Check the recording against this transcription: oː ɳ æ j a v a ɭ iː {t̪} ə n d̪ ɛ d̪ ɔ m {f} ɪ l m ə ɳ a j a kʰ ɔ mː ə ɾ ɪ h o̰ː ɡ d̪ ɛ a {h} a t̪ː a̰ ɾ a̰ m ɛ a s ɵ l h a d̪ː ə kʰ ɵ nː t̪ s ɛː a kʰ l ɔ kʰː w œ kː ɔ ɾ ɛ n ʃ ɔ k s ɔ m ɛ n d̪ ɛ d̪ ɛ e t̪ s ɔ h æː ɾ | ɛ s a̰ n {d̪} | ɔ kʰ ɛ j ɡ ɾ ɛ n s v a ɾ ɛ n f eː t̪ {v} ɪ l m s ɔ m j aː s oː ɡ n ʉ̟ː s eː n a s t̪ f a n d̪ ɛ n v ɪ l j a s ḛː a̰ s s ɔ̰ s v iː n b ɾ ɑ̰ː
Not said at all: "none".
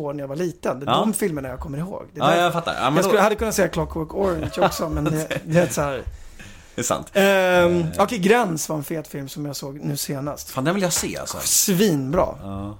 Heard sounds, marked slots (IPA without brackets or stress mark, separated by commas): t̪, f, f, t̪, f